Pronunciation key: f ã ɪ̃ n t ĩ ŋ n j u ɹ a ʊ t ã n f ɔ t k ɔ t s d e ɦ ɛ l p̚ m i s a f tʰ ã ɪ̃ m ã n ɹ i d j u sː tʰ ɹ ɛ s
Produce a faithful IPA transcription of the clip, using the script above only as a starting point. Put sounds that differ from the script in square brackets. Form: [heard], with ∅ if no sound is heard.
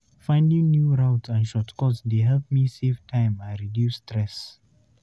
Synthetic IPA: f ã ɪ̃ n [d] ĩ ŋ n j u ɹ a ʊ t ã n [ʃ] ɔ t k ɔ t s d e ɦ ɛ l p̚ m i s [e] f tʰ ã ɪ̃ m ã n ɹ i d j u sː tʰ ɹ ɛ s